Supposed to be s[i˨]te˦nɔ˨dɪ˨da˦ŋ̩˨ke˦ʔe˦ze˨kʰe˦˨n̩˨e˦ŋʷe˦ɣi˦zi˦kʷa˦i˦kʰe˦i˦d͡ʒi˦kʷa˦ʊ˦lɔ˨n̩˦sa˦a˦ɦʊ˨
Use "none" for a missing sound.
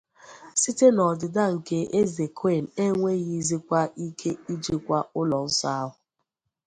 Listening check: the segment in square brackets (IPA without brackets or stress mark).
i˦